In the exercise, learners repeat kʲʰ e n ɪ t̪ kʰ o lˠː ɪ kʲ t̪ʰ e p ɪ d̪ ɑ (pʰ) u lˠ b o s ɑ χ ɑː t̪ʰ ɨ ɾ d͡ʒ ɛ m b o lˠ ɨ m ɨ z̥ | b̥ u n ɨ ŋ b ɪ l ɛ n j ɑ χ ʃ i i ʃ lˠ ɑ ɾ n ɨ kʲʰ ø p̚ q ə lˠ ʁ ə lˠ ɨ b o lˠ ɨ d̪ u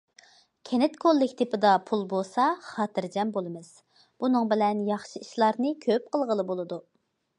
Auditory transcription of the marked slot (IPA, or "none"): pʰ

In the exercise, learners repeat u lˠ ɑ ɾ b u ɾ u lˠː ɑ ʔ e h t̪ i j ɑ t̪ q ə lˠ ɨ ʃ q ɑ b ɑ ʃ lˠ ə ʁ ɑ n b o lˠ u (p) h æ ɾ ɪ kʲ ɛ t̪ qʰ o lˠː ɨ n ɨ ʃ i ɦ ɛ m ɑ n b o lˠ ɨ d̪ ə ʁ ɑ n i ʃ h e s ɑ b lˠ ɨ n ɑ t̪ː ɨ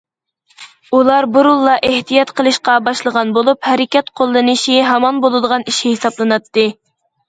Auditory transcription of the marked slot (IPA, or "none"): p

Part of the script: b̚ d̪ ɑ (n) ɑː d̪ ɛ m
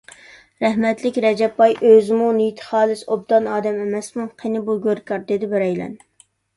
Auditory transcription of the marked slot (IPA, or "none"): n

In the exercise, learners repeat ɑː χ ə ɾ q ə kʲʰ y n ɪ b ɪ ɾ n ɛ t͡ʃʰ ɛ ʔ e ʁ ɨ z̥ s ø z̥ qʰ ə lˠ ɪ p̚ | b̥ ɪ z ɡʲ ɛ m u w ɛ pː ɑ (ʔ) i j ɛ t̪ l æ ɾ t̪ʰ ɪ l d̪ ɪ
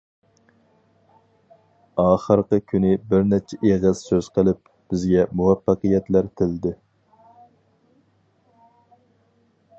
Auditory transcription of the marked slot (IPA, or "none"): q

